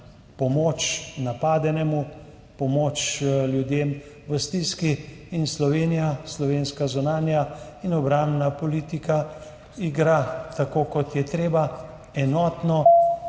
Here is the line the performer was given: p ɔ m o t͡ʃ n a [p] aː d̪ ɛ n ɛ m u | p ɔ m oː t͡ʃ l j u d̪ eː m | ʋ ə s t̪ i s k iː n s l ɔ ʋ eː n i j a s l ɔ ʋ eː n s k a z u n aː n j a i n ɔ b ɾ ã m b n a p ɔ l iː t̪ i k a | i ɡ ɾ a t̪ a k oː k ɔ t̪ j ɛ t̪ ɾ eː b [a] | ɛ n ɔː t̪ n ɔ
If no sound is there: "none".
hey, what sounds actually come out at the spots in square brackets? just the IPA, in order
p, a

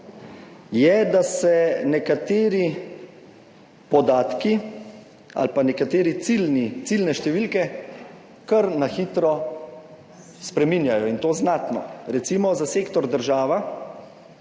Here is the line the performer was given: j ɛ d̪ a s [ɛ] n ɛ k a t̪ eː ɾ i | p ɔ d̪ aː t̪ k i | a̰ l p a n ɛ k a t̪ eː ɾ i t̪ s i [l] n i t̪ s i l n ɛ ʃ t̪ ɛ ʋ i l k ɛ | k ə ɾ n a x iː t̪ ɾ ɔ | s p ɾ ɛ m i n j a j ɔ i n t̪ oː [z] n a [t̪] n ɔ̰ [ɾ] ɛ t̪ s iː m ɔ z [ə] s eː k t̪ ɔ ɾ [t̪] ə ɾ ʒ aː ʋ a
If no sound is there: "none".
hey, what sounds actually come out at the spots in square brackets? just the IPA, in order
ɛ, l, z, t̪, ɾ, a, d̪

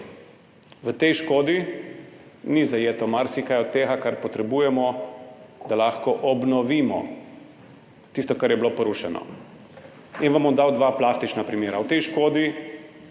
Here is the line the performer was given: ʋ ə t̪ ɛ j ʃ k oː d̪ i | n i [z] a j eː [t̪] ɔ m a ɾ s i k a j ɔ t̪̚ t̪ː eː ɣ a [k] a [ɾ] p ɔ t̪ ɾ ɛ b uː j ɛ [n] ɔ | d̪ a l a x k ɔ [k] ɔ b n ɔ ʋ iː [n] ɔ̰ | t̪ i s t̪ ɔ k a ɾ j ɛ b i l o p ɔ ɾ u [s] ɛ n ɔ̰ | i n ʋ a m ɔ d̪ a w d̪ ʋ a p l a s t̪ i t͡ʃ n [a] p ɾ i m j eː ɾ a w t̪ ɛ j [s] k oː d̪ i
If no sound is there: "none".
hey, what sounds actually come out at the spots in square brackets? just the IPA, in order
z, t̪, k, ɾ, m, ʔ, m, ʃ, a, ʃ

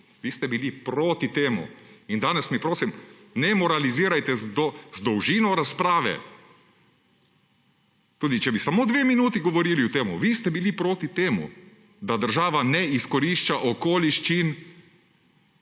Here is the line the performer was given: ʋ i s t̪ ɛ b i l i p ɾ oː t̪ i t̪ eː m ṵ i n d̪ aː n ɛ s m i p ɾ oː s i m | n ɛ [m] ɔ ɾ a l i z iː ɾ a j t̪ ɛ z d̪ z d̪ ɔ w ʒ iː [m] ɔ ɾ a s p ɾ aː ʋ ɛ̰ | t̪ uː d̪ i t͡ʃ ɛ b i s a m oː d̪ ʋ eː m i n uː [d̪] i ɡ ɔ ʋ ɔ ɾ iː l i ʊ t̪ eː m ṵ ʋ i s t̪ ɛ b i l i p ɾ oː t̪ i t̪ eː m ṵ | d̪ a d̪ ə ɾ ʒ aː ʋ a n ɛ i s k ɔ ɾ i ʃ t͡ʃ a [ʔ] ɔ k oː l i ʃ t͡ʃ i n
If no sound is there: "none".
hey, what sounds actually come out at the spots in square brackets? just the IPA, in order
m, n, t̪, ʔ

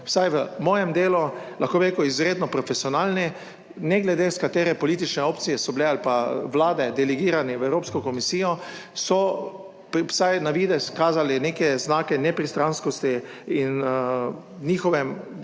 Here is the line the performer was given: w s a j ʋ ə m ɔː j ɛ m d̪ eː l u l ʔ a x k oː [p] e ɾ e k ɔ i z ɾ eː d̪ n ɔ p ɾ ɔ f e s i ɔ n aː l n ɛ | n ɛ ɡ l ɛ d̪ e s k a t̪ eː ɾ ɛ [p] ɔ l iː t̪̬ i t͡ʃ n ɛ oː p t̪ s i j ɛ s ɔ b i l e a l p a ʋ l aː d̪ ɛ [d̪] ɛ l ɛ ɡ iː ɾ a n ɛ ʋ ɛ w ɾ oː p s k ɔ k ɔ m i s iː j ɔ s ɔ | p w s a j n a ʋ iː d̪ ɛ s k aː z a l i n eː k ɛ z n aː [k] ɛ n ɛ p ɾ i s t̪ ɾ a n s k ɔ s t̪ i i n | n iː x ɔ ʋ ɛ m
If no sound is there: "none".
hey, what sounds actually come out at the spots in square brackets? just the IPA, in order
b, p, d̪, k

